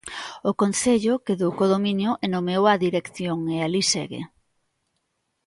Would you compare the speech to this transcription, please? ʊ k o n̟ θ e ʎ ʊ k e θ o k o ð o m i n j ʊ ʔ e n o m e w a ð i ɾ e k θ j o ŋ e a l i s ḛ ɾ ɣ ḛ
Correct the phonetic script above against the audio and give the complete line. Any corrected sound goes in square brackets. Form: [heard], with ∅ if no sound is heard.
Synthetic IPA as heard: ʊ k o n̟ θ e ʎ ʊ k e [ð] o k o ð o m i n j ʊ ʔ e n o m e w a ð i ɾ e k θ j o ŋ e a l i s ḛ [∅] ɣ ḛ